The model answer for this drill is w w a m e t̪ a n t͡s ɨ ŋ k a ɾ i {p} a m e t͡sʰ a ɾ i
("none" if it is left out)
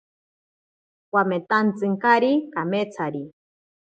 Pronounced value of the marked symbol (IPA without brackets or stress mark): k